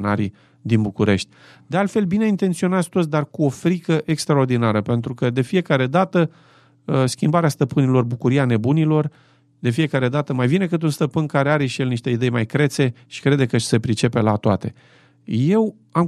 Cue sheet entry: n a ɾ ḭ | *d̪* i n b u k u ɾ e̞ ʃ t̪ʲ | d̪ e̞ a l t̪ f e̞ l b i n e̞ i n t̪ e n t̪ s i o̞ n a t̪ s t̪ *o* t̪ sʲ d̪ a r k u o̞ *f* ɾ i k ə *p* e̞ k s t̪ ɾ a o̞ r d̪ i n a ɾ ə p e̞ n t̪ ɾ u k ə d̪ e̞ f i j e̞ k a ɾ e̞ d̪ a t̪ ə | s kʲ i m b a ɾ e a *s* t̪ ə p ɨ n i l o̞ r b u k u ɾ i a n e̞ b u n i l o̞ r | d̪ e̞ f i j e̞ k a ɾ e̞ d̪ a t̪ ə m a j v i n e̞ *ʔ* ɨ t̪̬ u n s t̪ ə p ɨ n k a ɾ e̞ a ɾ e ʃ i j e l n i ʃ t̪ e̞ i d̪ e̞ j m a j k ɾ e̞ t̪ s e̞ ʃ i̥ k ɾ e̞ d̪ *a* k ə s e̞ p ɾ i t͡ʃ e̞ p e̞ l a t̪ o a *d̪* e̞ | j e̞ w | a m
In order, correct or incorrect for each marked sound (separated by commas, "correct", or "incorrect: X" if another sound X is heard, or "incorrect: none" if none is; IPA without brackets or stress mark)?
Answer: correct, correct, correct, incorrect: ʔ, correct, incorrect: k, incorrect: e, incorrect: t̪